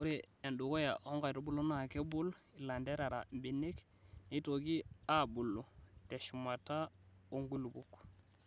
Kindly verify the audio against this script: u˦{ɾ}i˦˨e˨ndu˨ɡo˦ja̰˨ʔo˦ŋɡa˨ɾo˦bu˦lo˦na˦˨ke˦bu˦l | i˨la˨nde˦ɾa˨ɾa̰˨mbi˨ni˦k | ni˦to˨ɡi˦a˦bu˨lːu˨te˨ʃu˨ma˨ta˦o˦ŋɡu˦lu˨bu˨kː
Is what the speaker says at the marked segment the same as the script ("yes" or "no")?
yes